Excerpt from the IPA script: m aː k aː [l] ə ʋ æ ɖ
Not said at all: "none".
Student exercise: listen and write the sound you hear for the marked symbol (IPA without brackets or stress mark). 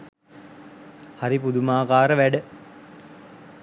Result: ɾ